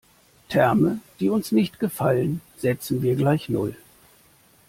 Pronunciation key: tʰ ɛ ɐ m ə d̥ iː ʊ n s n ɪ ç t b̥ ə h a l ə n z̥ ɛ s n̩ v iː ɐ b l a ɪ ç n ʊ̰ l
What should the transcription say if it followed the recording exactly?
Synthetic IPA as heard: tʰ ɛ ɐ m ə d̥ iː ʊ n s n ɪ ç t ɡ̥ ə f a l ə n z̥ ɛ t͡s n̩ v iː ɐ ɡ l a ɪ ç n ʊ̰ l